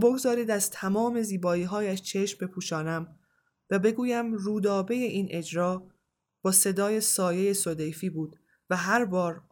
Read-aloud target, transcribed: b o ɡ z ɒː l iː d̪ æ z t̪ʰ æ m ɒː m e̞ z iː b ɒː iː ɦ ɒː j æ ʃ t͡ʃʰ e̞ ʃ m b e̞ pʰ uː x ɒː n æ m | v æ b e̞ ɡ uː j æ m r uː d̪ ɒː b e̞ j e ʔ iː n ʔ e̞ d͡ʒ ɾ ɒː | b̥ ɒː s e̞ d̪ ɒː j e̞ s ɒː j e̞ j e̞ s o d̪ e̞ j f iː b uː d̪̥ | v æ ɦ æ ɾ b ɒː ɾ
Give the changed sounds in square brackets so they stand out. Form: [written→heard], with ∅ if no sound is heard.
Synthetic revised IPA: b o ɡ z ɒː [l→ɾ] iː d̪ æ z t̪ʰ æ m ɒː m e̞ z iː b ɒː iː ɦ ɒː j æ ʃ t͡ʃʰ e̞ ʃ m b e̞ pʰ uː [x→ʃ] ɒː n æ m | v æ b e̞ ɡ uː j æ m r uː d̪ ɒː b e̞ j e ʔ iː n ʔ e̞ d͡ʒ ɾ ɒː | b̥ ɒː s e̞ d̪ ɒː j e̞ s ɒː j e̞ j e̞ s o d̪ e̞ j f iː b uː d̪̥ | v æ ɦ æ ɾ b ɒː ɾ